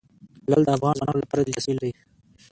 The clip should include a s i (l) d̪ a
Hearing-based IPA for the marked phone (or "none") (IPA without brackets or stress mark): l